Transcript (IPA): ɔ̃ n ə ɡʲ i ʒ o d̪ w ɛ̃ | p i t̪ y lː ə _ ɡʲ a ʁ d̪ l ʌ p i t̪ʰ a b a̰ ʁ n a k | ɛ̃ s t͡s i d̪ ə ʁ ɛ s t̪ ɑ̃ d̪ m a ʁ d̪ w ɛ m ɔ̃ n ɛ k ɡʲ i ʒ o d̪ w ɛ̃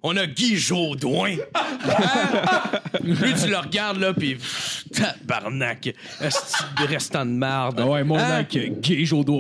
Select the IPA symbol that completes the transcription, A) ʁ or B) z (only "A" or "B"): A